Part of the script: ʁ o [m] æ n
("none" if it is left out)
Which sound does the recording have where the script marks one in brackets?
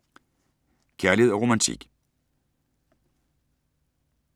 m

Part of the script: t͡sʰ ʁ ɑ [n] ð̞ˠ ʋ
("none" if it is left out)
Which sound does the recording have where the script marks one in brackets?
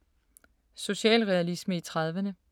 none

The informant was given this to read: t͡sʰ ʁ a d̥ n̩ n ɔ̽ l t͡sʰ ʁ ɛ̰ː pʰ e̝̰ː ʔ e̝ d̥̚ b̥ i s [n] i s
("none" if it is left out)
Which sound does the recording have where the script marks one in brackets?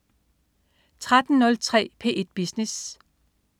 n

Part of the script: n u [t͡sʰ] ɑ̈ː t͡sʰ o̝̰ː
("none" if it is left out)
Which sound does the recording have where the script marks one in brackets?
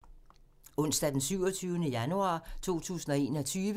none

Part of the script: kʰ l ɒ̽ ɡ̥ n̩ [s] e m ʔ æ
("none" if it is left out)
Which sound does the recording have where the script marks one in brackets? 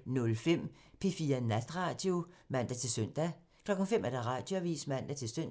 f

